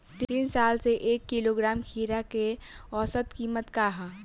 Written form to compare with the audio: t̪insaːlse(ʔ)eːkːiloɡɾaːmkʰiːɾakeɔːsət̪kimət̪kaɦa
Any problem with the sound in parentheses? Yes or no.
no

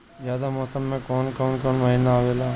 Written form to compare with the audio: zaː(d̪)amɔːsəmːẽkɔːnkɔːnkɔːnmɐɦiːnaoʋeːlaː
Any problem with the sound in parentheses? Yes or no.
no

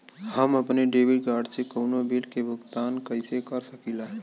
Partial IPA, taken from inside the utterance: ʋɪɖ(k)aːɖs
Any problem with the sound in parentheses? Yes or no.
yes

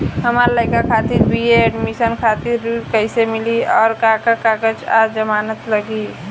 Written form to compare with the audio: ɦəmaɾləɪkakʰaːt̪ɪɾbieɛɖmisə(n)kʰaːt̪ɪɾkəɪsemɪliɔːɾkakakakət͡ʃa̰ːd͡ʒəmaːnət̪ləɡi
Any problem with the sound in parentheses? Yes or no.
no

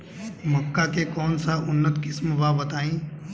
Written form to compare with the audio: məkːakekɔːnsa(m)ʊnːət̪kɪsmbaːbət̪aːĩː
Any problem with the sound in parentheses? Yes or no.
yes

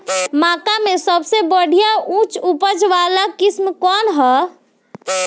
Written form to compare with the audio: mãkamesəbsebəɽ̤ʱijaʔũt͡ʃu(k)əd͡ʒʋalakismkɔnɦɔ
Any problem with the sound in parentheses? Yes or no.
yes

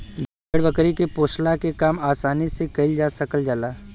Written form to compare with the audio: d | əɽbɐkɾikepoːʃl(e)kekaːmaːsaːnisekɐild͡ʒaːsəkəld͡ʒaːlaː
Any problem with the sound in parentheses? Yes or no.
yes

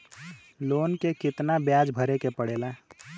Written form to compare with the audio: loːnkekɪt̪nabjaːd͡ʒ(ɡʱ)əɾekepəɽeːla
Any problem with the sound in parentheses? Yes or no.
yes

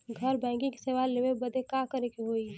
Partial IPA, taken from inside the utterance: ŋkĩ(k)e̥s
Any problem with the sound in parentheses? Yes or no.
no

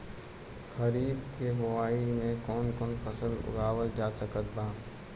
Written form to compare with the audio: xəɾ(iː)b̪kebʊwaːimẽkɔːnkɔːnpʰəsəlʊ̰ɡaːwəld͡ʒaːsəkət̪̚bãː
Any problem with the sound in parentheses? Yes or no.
no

